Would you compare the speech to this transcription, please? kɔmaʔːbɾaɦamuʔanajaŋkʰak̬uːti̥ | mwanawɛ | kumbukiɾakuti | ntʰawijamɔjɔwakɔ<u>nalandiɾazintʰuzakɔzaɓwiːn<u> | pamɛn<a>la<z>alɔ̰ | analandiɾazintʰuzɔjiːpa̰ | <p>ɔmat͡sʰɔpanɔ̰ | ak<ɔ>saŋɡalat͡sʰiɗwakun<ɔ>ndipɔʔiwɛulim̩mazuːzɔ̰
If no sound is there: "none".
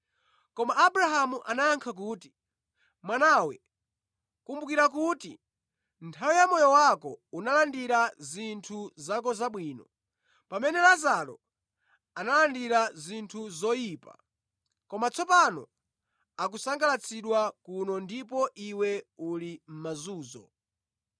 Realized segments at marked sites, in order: u, ɔ, ɛ, z, k, u, ɔ

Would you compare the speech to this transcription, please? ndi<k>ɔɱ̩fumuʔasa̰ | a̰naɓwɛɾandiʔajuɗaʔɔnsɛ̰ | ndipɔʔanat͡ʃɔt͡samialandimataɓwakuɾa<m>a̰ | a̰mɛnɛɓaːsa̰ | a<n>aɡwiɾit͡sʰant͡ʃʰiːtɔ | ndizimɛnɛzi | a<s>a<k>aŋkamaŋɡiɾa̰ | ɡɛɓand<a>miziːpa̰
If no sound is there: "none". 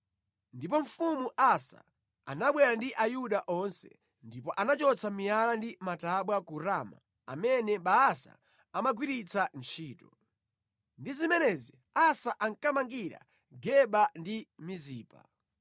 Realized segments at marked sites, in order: p, m, m, s, ʔ, i

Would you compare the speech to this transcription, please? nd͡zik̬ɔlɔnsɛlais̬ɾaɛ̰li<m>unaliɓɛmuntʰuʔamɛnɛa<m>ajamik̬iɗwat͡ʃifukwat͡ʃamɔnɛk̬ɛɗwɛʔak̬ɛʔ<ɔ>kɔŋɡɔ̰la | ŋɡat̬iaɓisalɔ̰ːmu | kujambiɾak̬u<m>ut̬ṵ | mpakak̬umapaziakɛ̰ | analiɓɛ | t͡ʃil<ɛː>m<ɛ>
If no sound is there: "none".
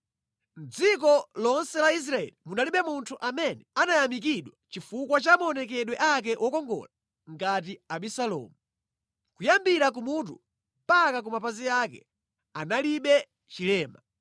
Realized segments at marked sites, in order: m, n, ɔ, m, ɛː, a

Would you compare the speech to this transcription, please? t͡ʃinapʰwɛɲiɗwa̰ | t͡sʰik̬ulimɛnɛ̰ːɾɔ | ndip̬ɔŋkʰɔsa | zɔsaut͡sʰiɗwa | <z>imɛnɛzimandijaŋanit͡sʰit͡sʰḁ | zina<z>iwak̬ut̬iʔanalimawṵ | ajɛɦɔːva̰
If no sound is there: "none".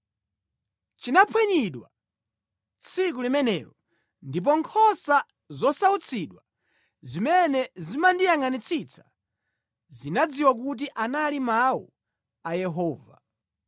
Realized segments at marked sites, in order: z, d͡z

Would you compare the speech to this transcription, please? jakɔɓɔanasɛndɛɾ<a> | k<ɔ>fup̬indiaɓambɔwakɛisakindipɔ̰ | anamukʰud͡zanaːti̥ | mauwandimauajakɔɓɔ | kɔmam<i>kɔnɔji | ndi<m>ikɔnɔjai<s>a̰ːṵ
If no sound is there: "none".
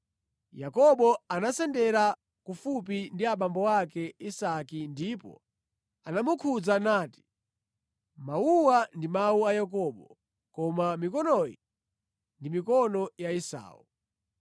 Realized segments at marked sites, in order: a, u, i, m, s

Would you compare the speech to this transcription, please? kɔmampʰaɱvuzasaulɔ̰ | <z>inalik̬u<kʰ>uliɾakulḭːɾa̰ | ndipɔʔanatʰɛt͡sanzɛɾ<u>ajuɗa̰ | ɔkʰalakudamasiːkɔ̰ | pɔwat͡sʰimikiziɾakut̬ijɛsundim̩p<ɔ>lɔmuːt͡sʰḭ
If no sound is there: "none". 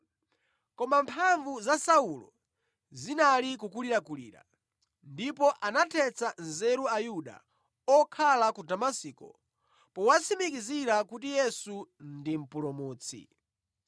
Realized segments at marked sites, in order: z, k, u, u

